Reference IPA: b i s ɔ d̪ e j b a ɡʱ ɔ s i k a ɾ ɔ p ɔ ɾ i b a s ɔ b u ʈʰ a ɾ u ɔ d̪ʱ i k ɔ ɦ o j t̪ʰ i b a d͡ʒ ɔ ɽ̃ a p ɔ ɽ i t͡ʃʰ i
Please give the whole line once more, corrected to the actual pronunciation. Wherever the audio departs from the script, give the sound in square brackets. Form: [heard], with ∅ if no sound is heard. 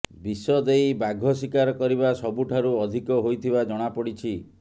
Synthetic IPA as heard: b i s ɔ d̪ e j b a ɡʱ ɔ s i k a ɾ ɔ [k] ɔ ɾ i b a s ɔ b u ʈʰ a ɾ u ɔ d̪ʱ i k ɔ ɦ o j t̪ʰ i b a d͡ʒ ɔ ɽ̃ a p ɔ ɽ i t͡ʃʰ i